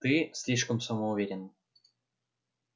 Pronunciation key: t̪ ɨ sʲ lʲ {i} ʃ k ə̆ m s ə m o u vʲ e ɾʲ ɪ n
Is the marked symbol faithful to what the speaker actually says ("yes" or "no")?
yes